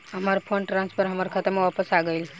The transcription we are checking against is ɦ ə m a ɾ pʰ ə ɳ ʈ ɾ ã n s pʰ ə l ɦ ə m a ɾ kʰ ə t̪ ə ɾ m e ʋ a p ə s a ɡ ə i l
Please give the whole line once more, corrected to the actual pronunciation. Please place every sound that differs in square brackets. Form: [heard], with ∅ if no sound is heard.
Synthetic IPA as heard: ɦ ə m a ɾ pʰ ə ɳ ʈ ɾ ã n s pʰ ə [ɾ] ɦ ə m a ɾ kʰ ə t̪ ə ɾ m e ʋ a p ə s a ɡ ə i l